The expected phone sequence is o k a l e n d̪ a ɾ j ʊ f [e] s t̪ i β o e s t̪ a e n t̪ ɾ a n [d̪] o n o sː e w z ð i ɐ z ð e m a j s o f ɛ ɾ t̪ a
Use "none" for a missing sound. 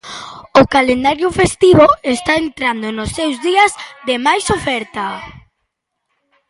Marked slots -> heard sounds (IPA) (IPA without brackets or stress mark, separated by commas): e, d̪